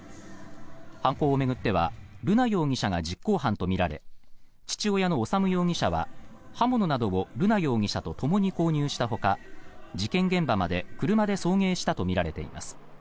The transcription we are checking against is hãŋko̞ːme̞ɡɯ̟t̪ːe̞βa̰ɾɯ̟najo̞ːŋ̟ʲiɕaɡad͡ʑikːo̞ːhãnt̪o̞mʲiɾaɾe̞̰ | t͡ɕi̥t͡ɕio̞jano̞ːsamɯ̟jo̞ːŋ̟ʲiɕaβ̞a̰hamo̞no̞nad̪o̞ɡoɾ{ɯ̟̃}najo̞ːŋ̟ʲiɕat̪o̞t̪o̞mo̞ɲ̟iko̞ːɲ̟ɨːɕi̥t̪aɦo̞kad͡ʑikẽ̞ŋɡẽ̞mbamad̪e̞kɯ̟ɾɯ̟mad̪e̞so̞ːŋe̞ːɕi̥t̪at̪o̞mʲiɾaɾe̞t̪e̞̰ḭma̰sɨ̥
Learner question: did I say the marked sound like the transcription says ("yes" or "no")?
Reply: no